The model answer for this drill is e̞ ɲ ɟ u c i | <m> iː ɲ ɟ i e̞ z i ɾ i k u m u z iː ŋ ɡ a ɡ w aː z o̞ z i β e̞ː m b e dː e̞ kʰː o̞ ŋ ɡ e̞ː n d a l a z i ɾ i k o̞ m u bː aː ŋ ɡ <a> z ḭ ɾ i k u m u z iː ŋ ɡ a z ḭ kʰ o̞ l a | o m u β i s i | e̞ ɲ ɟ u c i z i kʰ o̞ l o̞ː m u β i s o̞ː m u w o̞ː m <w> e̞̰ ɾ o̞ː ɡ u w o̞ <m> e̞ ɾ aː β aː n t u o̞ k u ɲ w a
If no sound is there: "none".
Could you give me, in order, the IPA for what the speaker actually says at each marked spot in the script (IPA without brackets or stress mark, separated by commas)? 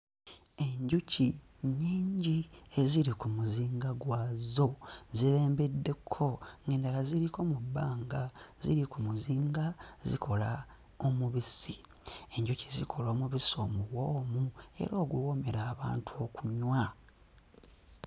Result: ɲ, a, u, m